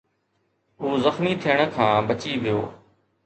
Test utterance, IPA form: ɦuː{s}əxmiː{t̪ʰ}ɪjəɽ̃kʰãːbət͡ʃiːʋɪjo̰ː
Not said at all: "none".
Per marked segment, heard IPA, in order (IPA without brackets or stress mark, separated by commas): z, t̪ʰ